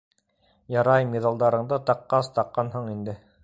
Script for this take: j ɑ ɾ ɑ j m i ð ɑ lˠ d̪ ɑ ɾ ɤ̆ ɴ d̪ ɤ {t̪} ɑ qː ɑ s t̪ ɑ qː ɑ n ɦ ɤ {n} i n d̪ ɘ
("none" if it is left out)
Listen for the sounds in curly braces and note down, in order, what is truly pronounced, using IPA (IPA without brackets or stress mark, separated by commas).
t̪, ɴ